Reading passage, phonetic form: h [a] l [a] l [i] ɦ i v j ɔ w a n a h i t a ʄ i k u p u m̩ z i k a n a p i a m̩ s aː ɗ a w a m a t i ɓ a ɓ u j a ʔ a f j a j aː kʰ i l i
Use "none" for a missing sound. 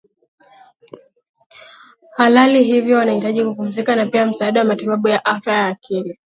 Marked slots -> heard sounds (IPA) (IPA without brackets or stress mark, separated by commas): a, a, i